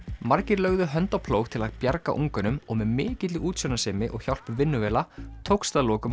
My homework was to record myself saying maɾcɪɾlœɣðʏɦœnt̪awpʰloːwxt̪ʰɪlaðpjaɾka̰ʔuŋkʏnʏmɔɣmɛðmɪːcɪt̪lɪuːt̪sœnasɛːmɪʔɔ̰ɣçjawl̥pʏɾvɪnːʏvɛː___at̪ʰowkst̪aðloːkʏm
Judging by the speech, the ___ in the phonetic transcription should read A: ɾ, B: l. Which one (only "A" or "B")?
B